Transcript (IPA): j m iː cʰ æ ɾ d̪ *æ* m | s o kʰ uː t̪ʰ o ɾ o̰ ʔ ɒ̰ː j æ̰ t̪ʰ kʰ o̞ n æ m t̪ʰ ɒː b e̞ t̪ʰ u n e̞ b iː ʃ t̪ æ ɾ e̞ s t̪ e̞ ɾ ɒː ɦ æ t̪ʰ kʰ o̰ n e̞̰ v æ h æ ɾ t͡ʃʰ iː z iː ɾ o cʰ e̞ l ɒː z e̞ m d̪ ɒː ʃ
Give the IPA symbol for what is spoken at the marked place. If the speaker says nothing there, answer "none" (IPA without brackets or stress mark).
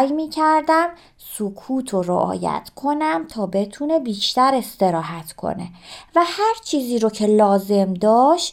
æ